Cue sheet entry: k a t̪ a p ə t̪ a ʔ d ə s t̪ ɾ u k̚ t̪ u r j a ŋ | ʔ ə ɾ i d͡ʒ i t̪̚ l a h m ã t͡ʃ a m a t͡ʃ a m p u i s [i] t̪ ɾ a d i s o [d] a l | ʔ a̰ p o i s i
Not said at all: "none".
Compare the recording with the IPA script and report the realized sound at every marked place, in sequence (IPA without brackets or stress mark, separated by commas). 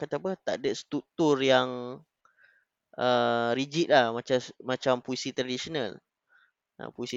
i, n